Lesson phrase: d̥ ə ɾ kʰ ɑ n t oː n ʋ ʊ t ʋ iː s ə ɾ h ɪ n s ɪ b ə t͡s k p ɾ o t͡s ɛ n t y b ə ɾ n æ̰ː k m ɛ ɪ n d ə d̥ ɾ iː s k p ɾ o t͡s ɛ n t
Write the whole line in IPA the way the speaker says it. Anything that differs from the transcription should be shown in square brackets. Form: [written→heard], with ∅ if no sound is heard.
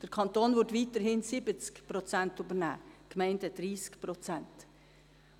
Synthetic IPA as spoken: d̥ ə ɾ kʰ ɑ n t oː n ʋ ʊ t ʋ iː [s→t] ə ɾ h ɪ n s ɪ b ə t͡s k p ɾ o t͡s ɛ n t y b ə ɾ n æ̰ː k m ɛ ɪ n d ə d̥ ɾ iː s k p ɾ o t͡s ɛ n t

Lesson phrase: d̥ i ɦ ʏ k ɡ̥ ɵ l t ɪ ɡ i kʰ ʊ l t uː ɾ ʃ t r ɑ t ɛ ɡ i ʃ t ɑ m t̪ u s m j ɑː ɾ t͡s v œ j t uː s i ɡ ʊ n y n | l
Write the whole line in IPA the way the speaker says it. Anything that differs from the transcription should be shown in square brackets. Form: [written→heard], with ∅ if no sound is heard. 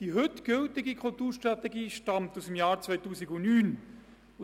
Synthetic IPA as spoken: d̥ i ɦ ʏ [k→t] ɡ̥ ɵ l t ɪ ɡ i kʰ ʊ l t uː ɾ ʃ t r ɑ t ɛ ɡ [i→iː] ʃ t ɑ m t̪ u s m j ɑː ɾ t͡s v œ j t uː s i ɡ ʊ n [y→yː] n | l

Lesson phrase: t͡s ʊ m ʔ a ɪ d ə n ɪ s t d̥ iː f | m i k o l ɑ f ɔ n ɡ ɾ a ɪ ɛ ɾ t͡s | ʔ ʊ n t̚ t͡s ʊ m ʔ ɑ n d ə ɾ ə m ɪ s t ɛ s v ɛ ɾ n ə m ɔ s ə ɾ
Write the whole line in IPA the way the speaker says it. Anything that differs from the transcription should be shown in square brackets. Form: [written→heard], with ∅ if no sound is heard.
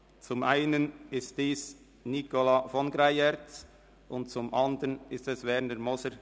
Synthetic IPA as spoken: t͡s ʊ m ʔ a ɪ [d→n] ə n ɪ s t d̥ iː [f→s] | [m→n] i k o l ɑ f ɔ n ɡ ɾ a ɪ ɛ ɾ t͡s | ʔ ʊ n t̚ t͡s ʊ m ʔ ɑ n d ə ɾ ə [m→n] ɪ s t ɛ s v ɛ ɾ n ə m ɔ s ə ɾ

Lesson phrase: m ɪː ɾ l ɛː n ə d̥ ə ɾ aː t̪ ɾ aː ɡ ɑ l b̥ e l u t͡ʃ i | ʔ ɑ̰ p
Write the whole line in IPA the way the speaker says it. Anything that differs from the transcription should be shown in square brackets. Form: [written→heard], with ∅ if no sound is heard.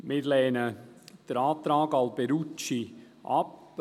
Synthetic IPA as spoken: m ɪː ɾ l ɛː n ə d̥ ə ɾ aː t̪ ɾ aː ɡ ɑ l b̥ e [l→ɾ] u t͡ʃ i | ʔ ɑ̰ p

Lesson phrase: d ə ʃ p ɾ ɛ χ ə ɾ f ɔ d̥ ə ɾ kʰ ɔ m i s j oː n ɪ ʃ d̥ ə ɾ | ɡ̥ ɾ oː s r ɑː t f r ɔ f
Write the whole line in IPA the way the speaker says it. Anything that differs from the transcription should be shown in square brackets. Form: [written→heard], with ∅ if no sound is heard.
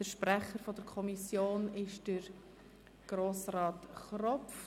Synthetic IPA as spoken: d ə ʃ p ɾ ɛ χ ə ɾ f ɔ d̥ ə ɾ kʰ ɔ m i s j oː n ɪ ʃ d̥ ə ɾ | ɡ̥ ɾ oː s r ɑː t [f→χ] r ɔ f

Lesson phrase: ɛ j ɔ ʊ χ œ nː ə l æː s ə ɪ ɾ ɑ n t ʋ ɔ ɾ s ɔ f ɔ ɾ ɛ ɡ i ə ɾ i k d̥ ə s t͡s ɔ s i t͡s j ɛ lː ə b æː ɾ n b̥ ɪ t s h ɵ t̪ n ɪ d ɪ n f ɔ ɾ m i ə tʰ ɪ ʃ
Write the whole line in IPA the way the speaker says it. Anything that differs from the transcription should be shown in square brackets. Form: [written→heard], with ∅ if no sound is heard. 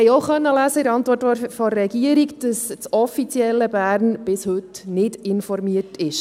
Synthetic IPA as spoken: ɛ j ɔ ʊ χ œ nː ə l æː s ə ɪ ɾ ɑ n t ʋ ɔ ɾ [s→t] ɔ f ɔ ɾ ɛ ɡ i ə ɾ i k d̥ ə s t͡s ɔ [s→f] i t͡s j ɛ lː ə b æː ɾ n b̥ ɪ [t→∅] s h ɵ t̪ n ɪ d ɪ n f ɔ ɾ m i ə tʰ ɪ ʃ

